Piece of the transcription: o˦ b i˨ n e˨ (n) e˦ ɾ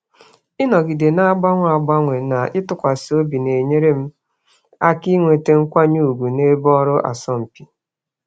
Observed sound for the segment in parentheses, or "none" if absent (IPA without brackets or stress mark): ɲ